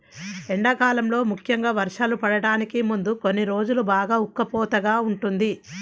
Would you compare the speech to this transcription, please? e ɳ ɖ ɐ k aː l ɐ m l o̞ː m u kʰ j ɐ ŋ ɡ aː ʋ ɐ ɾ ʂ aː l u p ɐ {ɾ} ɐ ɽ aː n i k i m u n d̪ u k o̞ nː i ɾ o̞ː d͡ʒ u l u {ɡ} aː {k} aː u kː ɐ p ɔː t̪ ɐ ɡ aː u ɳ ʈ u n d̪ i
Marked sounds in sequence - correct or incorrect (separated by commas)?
incorrect, incorrect, incorrect